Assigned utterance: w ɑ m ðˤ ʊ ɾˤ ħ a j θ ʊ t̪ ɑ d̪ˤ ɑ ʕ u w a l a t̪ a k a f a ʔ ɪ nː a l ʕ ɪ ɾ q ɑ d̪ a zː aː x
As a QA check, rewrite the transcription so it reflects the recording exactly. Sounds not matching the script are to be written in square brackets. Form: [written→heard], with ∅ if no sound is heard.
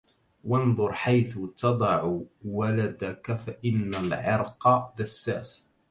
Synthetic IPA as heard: w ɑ [m→n] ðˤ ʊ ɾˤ ħ a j θ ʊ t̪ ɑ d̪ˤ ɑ ʕ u w a l a [t̪→d̪] a k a f a ʔ ɪ nː a l ʕ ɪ ɾ q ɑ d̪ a [zː→sː] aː [x→s]